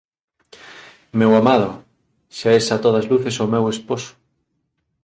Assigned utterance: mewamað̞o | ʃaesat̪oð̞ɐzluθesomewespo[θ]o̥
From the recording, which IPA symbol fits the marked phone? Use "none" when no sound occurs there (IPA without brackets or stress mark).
s